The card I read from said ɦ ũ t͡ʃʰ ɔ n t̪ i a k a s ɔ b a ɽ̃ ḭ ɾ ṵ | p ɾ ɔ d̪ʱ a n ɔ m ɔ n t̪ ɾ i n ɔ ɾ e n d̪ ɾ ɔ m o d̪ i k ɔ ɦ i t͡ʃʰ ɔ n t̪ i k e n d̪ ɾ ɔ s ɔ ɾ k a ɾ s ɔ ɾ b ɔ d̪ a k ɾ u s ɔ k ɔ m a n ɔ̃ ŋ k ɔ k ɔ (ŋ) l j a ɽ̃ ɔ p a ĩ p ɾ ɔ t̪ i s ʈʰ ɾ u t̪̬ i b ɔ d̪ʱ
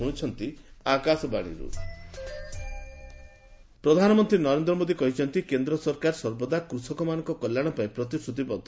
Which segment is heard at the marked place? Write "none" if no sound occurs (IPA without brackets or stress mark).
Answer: none